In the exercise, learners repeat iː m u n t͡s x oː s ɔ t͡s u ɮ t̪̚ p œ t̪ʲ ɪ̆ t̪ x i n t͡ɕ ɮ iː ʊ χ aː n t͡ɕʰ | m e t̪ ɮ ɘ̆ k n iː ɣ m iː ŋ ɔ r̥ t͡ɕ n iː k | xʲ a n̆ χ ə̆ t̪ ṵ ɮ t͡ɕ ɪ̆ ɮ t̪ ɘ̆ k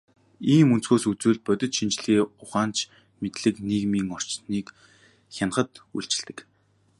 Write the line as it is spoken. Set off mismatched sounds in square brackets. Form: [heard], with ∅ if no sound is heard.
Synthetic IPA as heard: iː m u n t͡s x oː s [u] t͡s [uː] ɮ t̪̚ p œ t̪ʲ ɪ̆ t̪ [ʃ] i n t͡ɕ ɮ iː ʊ χ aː n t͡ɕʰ | m e t̪ ɮ ɘ̆ k n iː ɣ m iː ŋ ɔ r̥ t͡ɕ n iː k | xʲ a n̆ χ ə̆ t̪ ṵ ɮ t͡ɕ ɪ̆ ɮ t̪ ɘ̆ k